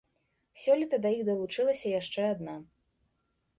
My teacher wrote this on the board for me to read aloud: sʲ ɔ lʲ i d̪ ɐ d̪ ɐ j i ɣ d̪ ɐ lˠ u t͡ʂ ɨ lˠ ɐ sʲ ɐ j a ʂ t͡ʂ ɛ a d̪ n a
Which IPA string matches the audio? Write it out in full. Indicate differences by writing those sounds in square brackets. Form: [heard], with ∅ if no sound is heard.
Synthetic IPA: sʲ ɔ lʲ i [t̪] ɐ d̪ ɐ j i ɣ d̪ ɐ lˠ u t͡ʂ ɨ lˠ ɐ sʲ ɐ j a ʂ t͡ʂ ɛ a d̪ n a